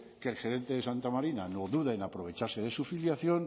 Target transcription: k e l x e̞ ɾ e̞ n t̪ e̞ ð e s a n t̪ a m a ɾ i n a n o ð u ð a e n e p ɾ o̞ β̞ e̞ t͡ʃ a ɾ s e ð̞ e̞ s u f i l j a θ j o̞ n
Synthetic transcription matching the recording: k e l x e̞ ɾ e̞ n t̪ e̞ ð e s a n t̪ a m a ɾ i n a n o ð u ð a e n a p ɾ o̞ β̞ e̞ t͡ʃ a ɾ s e ð̞ e̞ s u f i l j a θ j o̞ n